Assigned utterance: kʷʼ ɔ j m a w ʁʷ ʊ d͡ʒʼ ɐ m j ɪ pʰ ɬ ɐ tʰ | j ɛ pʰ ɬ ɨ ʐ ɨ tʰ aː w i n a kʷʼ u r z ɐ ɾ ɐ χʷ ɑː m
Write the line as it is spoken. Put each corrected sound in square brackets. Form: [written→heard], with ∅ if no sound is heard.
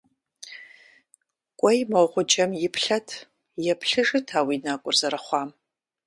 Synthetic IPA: kʷʼ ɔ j m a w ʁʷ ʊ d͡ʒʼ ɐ m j ɪ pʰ ɬ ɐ tʰ | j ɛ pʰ ɬ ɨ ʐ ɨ tʰ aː w i n a kʷʼ [u→ʊ] r z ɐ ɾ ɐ χʷ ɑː m